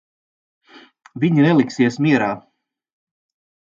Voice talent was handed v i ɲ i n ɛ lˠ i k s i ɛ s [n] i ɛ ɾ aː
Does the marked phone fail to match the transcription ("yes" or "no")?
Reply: yes